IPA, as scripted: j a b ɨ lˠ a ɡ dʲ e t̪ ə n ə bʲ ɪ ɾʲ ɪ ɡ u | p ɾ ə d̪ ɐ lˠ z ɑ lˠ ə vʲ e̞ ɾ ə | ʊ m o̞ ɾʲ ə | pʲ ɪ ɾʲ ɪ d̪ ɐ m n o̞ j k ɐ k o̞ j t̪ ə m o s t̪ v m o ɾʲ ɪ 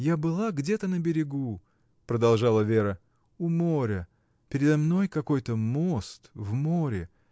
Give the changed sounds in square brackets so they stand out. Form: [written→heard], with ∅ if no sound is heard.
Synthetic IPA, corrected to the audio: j a b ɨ lˠ a ɡ dʲ e t̪ ə n ə bʲ ɪ ɾʲ ɪ ɡ u | p ɾ ə d̪ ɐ lˠ [z→ʐ] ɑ lˠ ə vʲ e̞ ɾ ə | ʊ m o̞ ɾʲ ə | pʲ ɪ ɾʲ ɪ d̪ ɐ m n o̞ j k ɐ k o̞ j t̪ ə m o s t̪ v m o ɾʲ ɪ